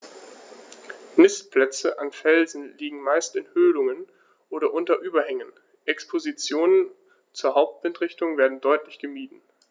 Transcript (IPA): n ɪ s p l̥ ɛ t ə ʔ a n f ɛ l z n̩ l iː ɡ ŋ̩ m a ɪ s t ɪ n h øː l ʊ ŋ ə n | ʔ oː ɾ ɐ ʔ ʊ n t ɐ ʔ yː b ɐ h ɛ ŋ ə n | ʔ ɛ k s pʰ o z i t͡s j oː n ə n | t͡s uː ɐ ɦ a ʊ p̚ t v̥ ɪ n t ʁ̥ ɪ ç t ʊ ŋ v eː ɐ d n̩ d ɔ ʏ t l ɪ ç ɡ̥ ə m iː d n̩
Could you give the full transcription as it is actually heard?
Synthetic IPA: n ɪ s p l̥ ɛ t͡s ə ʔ a n f ɛ l z n̩ l iː ɡ ŋ̩ m a ɪ s t ɪ n h øː l ʊ ŋ ə n | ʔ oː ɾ ɐ ʔ ʊ n t ɐ ʔ yː b ɐ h ɛ ŋ ə n | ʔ ɛ k s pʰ o z i t͡s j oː n ə n | t͡s uː ɐ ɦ a ʊ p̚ t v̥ ɪ n t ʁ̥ ɪ ç t ʊ ŋ v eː ɐ d n̩ d ɔ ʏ t l ɪ ç ɡ̥ ə m iː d n̩